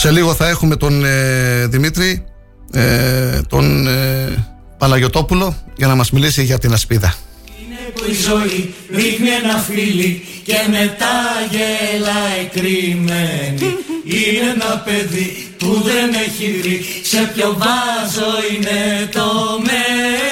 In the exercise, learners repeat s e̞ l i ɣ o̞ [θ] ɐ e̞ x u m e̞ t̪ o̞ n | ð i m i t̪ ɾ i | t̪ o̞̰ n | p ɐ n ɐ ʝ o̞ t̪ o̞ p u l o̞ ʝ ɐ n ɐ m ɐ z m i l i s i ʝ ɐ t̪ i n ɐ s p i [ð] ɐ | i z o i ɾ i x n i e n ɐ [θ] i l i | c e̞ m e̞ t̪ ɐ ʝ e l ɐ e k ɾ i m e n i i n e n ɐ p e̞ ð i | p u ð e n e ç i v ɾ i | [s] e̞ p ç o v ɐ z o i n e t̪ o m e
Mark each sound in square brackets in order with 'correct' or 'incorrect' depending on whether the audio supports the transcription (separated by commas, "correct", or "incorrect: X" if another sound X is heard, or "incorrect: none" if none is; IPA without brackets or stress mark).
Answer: correct, correct, incorrect: f, correct